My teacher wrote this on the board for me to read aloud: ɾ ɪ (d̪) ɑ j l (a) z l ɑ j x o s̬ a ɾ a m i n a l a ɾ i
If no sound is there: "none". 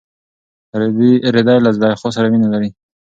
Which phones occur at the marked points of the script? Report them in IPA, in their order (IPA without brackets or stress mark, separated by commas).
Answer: d̪, a